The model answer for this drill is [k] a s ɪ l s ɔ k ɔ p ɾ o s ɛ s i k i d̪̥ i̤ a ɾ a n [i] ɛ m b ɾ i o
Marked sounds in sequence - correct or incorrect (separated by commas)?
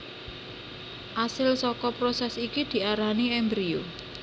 incorrect, correct